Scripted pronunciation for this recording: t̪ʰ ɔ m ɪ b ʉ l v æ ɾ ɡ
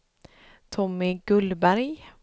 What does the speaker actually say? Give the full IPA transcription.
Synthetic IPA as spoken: t̪ʰ ɔ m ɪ ɡ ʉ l b æ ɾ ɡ